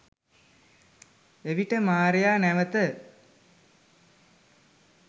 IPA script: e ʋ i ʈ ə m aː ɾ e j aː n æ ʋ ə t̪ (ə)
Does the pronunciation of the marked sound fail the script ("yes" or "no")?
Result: no